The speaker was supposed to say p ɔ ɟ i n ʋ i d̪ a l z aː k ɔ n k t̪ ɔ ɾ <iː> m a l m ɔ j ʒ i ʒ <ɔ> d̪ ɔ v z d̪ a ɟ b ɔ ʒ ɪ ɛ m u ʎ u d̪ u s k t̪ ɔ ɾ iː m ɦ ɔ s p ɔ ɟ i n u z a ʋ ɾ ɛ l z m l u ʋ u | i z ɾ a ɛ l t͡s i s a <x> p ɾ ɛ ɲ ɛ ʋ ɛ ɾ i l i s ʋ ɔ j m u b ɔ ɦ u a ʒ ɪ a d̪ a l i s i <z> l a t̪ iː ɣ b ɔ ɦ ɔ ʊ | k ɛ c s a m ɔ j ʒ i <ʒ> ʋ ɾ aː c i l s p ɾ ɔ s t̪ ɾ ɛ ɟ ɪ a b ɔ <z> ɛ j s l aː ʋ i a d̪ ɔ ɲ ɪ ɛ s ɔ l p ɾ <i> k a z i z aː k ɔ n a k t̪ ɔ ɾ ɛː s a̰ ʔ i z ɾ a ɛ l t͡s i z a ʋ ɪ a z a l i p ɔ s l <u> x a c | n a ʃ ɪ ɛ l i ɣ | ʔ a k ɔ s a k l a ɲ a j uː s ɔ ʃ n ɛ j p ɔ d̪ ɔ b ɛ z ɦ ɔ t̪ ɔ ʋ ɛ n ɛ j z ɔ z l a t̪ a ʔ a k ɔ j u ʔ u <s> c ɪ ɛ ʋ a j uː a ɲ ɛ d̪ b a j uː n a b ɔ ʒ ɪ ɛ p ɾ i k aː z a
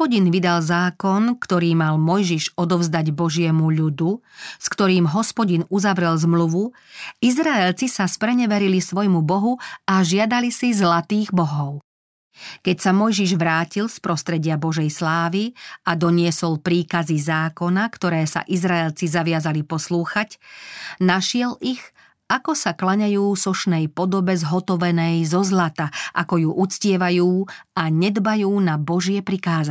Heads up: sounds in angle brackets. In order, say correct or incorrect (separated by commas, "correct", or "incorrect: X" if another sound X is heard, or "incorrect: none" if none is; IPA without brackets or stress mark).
correct, correct, incorrect: s, correct, correct, incorrect: ʒ, incorrect: iː, incorrect: uː, incorrect: t͡s